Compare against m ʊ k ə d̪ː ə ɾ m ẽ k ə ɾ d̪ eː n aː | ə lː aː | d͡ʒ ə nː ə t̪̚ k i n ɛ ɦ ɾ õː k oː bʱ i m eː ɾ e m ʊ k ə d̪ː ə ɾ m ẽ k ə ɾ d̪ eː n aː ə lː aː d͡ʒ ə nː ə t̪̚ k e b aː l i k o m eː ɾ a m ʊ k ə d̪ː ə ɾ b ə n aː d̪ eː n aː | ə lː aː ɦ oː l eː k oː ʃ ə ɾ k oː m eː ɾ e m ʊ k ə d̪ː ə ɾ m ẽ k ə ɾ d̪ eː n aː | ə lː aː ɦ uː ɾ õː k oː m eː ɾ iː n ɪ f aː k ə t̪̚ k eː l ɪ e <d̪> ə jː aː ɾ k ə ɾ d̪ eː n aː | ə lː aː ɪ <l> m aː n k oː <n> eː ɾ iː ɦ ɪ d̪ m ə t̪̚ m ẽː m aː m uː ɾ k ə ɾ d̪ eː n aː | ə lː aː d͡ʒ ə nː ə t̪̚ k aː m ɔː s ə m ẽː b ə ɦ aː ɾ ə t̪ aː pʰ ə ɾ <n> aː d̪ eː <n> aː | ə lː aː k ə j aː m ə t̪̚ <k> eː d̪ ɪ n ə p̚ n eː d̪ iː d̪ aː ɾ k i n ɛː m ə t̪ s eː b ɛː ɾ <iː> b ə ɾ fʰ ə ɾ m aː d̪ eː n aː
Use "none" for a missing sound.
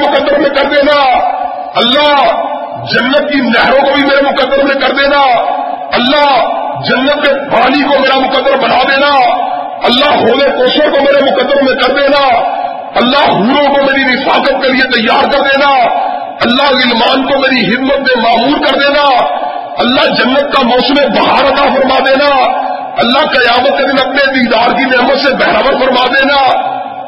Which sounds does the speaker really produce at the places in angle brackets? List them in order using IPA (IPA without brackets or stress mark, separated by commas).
t̪, l, m, m, n, k, aː